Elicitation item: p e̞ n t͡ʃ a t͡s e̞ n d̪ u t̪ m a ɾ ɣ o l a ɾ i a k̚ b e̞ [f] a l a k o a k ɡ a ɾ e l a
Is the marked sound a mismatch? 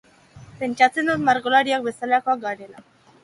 yes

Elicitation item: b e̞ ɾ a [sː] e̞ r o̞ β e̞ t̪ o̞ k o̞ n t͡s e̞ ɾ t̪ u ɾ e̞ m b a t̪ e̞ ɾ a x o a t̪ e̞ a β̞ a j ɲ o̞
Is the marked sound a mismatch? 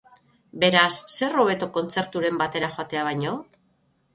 no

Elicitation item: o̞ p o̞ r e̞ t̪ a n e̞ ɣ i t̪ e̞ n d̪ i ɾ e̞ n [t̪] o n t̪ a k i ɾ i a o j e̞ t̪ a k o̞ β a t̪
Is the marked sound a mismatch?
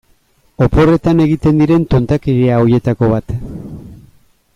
no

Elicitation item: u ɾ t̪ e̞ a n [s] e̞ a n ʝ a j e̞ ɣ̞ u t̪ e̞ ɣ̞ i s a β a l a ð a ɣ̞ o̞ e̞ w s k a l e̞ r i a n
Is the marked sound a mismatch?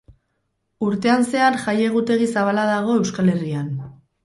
no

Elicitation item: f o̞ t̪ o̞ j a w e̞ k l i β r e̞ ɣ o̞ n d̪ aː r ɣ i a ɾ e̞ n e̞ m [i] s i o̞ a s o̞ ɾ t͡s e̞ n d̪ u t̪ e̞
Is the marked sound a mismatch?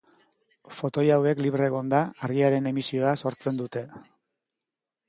no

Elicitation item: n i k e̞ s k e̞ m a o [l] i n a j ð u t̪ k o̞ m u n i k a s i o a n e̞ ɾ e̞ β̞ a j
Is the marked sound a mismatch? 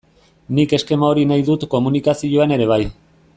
yes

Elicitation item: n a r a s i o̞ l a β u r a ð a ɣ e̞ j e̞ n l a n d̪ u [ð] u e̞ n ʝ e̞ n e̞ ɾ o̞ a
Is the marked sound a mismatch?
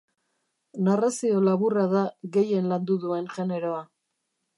no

